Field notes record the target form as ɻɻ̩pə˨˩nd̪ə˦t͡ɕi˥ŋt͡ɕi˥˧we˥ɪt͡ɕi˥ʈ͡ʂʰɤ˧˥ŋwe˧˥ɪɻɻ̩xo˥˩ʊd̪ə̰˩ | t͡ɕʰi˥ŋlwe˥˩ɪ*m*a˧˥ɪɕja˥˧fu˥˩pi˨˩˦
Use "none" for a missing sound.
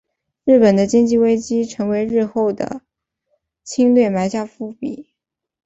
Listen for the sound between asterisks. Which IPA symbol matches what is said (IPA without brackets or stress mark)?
m